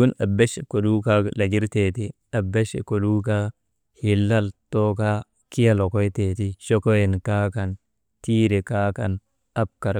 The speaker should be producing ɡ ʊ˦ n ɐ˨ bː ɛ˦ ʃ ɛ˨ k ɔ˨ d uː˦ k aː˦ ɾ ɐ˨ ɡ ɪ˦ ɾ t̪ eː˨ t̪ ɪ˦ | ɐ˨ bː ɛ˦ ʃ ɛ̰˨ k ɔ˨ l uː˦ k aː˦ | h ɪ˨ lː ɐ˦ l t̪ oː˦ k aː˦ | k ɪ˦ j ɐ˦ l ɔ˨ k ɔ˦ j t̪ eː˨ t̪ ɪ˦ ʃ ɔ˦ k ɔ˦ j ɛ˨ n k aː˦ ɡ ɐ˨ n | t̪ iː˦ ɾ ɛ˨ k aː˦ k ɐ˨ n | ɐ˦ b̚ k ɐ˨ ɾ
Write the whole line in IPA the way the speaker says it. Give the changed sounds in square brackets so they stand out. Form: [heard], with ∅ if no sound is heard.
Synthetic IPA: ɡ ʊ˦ n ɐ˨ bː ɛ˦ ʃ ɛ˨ k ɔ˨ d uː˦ k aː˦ [l] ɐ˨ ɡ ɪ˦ ɾ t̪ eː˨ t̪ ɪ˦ | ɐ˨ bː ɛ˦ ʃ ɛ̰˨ k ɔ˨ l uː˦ k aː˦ | h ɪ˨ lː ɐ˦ l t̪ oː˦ k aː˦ | k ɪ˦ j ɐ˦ l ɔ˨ k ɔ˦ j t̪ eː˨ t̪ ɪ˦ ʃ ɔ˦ k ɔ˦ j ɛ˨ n k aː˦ [k] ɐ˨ n | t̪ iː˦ ɾ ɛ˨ k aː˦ k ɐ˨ n | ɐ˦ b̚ k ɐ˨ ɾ